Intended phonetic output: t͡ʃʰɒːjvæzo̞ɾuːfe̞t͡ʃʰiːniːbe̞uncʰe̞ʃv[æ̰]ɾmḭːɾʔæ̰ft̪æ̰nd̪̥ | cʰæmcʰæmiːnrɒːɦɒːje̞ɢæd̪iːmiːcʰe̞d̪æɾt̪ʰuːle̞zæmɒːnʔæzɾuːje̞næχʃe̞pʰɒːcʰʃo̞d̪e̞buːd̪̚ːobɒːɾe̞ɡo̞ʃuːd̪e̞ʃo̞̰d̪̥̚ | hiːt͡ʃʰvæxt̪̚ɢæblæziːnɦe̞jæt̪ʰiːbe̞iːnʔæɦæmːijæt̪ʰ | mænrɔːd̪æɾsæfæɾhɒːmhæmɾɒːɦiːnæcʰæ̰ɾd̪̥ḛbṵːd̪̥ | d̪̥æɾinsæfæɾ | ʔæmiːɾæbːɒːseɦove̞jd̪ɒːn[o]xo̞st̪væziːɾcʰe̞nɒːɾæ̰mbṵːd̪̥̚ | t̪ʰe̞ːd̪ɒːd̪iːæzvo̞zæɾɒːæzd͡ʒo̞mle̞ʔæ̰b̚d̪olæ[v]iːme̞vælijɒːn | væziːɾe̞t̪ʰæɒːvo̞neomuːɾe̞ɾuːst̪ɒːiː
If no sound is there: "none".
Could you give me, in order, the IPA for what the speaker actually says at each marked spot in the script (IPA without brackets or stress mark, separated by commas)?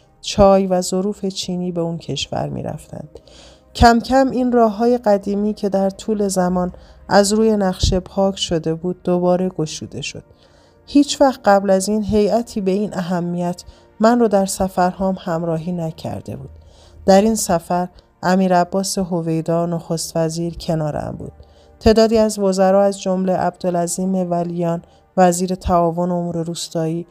æ̰, o, z